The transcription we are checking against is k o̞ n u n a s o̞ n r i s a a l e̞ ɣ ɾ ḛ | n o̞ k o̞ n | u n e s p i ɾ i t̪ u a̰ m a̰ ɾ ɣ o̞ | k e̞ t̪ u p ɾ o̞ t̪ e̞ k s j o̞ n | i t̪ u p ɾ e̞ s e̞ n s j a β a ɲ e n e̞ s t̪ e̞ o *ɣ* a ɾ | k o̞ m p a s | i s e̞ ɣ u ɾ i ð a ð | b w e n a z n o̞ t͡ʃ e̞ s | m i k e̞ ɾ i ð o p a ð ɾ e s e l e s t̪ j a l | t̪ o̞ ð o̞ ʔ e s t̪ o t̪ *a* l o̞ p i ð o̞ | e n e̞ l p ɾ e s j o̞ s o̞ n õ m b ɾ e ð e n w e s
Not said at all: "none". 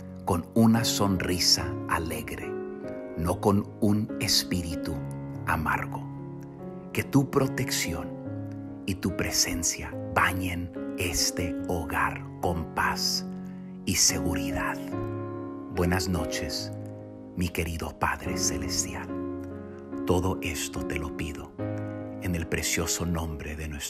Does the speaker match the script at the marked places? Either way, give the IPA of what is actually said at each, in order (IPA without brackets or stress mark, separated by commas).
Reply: ɣ, e